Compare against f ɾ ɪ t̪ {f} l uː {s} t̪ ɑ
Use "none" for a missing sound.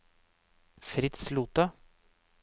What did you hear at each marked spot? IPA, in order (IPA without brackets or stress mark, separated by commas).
s, none